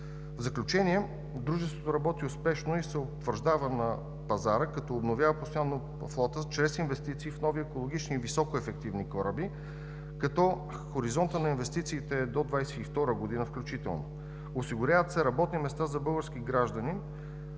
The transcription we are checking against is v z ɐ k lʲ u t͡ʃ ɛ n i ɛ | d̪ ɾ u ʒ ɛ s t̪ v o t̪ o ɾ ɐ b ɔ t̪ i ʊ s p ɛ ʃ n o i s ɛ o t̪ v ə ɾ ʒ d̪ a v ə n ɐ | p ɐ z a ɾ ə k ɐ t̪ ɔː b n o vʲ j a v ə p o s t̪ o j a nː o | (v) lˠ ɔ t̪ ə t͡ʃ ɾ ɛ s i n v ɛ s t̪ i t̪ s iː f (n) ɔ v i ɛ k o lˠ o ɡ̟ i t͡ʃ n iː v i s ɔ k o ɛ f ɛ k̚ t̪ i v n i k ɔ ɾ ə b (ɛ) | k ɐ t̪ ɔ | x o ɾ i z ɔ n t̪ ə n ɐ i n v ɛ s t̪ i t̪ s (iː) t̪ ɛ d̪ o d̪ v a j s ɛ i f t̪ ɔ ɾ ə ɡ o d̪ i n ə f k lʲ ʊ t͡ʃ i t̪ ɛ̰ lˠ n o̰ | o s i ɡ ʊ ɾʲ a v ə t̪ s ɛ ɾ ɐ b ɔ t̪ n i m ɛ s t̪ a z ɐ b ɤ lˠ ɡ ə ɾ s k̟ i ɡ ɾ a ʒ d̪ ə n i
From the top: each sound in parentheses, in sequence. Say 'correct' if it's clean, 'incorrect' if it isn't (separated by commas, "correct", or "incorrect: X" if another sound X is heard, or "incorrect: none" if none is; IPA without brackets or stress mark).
incorrect: f, correct, incorrect: i, correct